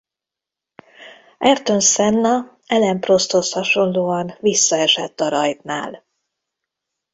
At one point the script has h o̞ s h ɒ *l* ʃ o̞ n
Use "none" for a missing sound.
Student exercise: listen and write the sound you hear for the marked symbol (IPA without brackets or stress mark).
none